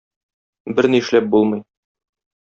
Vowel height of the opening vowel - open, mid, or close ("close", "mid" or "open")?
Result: mid